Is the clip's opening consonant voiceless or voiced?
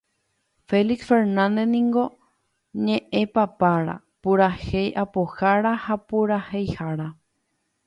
voiceless